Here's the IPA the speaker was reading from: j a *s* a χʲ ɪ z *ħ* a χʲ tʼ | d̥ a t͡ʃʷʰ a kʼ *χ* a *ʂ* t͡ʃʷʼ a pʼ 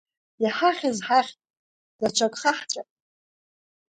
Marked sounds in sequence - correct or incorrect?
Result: incorrect: ħ, correct, correct, incorrect: ħ

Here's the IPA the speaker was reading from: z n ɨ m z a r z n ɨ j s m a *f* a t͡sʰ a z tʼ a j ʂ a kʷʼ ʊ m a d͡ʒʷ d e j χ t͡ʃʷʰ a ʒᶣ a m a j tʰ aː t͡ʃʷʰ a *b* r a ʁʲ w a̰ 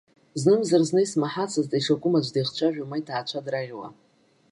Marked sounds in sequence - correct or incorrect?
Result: incorrect: ħ, incorrect: d

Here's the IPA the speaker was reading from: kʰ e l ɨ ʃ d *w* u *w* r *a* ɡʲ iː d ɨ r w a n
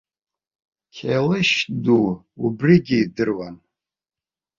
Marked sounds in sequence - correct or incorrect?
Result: incorrect: u, incorrect: b, incorrect: i

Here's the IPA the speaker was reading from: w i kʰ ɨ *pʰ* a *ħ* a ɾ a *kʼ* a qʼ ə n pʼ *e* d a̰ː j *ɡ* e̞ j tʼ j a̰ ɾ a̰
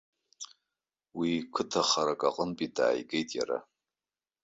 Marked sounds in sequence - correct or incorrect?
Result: incorrect: tʰ, incorrect: χ, correct, incorrect: i, correct

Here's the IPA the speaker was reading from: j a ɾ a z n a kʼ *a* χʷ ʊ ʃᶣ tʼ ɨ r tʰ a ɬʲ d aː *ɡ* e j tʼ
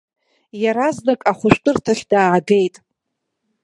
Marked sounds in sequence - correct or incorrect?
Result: correct, correct

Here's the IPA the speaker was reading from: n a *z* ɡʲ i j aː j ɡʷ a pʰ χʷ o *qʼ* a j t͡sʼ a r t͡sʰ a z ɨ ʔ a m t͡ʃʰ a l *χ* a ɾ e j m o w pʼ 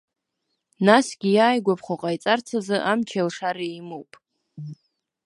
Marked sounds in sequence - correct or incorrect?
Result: incorrect: s, correct, incorrect: ʂ

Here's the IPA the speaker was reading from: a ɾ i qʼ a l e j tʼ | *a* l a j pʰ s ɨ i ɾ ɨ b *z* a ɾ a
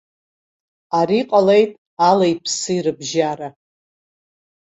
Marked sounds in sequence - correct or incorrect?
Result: correct, incorrect: ʒ

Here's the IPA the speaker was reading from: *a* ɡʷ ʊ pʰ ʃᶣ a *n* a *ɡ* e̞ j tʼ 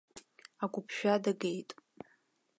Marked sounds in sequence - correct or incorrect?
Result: correct, incorrect: d, correct

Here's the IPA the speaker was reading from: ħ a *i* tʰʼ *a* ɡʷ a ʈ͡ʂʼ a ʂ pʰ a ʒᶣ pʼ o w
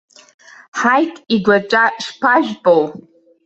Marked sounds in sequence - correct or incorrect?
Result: incorrect: j, incorrect: i

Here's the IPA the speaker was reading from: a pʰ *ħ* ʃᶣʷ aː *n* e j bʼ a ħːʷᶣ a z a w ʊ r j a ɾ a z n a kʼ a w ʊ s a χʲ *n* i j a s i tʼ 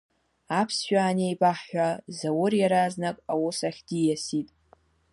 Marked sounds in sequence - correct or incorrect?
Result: incorrect: s, correct, incorrect: d

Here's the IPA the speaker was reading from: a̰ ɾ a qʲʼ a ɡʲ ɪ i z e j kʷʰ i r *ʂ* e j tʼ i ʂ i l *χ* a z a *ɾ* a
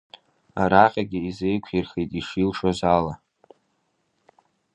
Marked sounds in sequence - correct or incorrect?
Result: incorrect: χ, incorrect: ʂ, incorrect: l

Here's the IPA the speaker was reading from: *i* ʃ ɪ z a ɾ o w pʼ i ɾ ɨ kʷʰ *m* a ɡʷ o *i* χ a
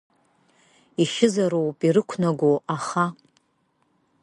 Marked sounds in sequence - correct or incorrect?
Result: correct, incorrect: n, incorrect: a

